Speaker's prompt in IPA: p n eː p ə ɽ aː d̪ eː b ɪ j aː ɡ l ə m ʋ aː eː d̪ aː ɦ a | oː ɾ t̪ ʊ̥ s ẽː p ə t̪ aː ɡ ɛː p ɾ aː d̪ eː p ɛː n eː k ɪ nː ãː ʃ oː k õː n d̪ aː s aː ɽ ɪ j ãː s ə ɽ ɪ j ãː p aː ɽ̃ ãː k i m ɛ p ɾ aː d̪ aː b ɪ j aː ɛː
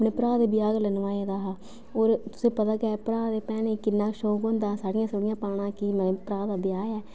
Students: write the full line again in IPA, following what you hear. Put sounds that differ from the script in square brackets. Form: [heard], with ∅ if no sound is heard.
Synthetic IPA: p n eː p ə [ɾ] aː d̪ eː b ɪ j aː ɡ l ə [n] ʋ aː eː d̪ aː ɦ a | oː ɾ t̪ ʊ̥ s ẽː p ə t̪ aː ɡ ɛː p ɾ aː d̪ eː p ɛː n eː k ɪ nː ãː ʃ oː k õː n d̪ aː s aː ɽ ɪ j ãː s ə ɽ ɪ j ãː p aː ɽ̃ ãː k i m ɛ p ɾ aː d̪ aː b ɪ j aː ɛː

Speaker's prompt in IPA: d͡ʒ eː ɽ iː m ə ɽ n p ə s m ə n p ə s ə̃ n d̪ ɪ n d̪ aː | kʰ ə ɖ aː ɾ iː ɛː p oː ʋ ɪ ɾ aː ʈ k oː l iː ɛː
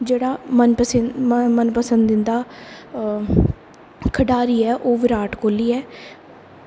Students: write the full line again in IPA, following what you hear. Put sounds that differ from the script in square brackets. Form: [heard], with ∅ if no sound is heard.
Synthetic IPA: d͡ʒ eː ɽ [aː] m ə [∅] n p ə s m ə n p ə s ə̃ n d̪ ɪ n d̪ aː | kʰ ə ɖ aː ɾ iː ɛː [ʔ] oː ʋ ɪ ɾ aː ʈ k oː l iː ɛː

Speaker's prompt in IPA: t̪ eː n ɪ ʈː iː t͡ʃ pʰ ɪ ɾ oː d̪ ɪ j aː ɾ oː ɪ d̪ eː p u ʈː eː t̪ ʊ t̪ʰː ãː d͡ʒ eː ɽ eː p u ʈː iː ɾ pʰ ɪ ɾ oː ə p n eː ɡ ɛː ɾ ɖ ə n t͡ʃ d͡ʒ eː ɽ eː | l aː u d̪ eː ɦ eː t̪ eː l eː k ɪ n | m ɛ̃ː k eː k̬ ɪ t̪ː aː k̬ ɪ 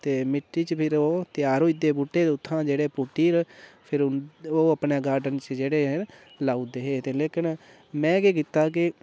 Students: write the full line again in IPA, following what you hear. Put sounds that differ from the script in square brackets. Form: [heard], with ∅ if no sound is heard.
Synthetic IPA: t̪ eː [m] ɪ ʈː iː t͡ʃ pʰ ɪ ɾ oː [t̪] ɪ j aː ɾ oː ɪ d̪ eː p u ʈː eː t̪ ʊ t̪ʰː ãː d͡ʒ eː ɽ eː p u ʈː iː ɾ pʰ ɪ ɾ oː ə p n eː ɡ [aː] ɾ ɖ ə n t͡ʃ d͡ʒ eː ɽ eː | l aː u d̪ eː ɦ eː t̪ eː l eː k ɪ n | m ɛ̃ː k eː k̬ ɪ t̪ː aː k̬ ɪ

